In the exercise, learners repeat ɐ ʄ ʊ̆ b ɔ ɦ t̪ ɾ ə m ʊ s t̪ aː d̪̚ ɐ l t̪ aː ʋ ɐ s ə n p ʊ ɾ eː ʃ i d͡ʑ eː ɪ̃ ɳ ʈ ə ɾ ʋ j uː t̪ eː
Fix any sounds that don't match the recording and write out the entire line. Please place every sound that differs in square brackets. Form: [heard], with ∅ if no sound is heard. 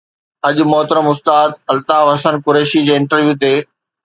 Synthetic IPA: ɐ ʄ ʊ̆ [m] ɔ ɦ t̪ ɾ ə m ʊ s t̪ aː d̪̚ ɐ l t̪ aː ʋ ɐ s ə n [k] ʊ ɾ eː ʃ i d͡ʑ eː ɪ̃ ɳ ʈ ə ɾ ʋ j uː t̪ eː